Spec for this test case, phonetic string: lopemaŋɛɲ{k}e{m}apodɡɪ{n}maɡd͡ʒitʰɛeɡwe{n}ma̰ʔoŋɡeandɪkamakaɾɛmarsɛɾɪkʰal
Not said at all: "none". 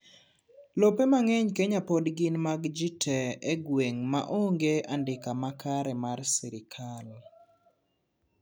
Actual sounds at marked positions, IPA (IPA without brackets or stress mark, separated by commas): k, ɲ, n, ŋ